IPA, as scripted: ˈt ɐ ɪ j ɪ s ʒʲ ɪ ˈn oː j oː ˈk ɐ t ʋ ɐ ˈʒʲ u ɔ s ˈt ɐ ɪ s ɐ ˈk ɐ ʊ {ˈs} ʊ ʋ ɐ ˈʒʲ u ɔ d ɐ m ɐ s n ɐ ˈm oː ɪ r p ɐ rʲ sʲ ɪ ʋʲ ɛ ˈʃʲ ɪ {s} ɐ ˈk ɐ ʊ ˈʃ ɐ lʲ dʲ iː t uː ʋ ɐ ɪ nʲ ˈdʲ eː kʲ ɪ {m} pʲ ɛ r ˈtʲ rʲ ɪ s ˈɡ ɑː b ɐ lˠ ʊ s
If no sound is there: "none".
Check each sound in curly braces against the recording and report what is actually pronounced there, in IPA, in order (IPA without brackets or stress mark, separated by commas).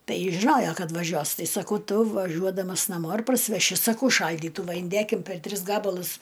t, s, m